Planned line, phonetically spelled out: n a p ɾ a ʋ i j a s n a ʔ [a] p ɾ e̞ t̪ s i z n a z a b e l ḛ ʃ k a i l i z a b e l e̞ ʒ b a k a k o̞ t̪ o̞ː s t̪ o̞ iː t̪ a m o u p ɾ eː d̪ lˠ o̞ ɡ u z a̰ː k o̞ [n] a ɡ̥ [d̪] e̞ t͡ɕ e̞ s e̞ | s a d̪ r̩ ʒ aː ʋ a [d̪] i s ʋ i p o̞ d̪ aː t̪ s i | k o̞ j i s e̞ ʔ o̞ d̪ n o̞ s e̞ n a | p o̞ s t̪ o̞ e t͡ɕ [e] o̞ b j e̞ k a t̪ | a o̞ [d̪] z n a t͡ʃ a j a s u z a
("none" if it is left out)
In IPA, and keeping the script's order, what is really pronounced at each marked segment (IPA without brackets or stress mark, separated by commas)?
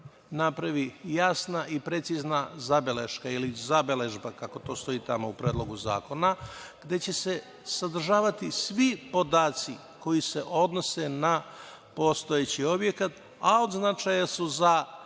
i, n, d̪, t̪, i, d̪